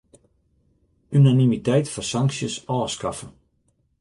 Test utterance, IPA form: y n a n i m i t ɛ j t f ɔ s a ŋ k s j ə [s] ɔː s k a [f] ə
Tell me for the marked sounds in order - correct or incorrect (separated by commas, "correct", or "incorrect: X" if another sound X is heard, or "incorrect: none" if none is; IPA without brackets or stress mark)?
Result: correct, correct